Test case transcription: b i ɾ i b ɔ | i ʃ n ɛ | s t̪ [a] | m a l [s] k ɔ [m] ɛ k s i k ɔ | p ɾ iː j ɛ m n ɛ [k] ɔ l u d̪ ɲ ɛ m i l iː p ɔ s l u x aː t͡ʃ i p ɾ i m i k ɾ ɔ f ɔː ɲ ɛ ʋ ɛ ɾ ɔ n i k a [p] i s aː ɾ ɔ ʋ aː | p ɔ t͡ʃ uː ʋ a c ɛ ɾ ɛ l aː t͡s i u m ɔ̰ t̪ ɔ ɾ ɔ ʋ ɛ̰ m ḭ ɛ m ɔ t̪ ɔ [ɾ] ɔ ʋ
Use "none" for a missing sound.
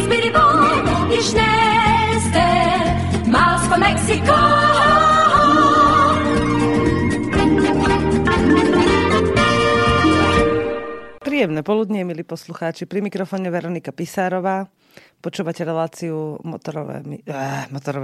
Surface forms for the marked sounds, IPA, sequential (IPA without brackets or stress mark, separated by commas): ɛ, s, m, p, p, ɾ